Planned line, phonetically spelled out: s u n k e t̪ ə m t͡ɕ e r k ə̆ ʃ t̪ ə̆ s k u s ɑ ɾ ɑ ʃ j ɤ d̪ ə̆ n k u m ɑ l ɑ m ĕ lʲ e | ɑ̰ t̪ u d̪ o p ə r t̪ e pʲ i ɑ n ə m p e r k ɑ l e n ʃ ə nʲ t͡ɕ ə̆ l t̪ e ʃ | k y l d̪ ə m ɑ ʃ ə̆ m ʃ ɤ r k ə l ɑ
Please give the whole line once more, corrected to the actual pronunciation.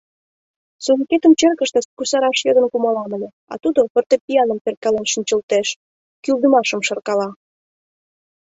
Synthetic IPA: s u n k e t̪ ə m t͡ɕ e r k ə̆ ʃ t̪ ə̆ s k u s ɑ ɾ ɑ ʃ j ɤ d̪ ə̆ n k u m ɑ l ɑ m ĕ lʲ e | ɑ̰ t̪ u d̪ o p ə r t̪ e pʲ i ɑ n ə m p e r k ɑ l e n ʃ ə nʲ t͡ɕ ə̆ l t̪ e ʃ | k y l d̪ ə m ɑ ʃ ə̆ m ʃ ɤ r k ɑ l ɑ